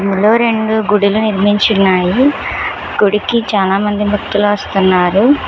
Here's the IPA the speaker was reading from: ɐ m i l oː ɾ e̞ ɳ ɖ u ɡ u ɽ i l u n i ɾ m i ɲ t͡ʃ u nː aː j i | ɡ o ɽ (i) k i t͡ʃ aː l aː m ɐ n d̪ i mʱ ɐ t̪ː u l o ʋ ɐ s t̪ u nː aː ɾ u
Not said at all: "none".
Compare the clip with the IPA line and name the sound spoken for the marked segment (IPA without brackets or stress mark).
i